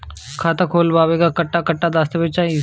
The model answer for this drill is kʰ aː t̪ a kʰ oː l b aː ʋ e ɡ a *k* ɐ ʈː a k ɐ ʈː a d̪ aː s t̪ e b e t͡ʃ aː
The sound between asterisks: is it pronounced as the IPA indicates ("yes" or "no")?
yes